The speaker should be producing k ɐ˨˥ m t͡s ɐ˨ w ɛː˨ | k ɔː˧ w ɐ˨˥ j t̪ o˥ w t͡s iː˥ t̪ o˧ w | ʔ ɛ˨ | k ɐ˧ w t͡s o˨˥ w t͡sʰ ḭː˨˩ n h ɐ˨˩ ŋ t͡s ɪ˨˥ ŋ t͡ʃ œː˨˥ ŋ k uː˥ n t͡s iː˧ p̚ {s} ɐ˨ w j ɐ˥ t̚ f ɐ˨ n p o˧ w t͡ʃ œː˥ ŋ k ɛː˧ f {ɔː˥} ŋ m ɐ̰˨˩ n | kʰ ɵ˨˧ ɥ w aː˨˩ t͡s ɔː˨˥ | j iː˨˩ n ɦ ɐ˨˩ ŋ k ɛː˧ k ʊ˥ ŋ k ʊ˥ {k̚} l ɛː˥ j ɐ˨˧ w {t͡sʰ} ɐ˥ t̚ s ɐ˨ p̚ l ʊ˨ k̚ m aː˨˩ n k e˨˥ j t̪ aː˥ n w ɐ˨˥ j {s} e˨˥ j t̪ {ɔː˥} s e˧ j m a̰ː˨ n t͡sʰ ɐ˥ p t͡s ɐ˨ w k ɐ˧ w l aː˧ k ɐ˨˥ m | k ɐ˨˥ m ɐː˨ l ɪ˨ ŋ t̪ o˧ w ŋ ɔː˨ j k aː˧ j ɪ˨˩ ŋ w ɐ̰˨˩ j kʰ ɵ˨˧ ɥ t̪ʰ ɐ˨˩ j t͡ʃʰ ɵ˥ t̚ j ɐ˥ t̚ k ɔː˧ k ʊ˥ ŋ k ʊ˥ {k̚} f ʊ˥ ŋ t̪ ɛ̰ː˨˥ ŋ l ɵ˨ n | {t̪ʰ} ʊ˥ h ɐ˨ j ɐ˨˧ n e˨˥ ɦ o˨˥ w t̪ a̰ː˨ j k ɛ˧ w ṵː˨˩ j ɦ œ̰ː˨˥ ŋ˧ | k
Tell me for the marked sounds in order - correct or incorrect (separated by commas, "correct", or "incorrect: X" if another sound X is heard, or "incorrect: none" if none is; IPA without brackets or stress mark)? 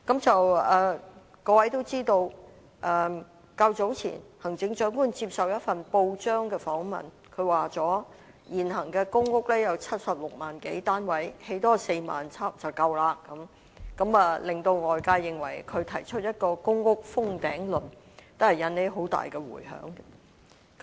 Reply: correct, incorrect: ɔː˨˥, correct, correct, incorrect: h, correct, correct, incorrect: t̪